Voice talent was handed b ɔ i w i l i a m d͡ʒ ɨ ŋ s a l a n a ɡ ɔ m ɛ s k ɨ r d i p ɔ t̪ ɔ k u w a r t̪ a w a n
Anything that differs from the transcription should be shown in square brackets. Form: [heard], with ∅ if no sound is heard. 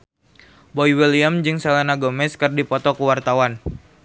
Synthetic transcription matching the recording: b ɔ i w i l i a m d͡ʒ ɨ ŋ s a l a n a ɡ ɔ m ɛ s k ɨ r d i p ɔ t̪ ɔ k u w a r t̪ a w a n